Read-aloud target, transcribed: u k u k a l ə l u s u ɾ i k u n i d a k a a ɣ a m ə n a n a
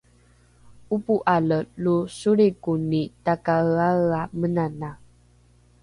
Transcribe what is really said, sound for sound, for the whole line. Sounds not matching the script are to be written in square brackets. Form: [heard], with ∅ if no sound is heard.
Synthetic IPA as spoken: u [p] u [ʔ] a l ə l u s u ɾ i k u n i [t] a k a a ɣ a m ə n a n a